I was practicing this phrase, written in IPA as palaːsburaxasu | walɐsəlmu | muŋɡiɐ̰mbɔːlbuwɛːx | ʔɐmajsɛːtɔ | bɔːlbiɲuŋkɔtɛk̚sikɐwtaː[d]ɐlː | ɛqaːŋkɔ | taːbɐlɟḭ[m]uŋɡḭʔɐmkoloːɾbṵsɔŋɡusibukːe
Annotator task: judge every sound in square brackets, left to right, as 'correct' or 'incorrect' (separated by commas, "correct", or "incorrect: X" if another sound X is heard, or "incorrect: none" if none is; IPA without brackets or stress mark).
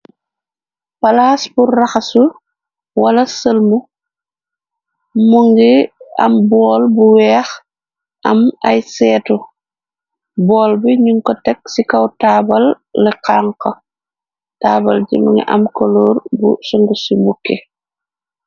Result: incorrect: b, correct